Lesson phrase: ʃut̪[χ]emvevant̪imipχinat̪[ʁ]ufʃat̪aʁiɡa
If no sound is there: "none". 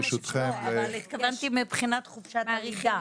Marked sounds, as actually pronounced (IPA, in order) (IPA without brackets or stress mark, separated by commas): χ, χ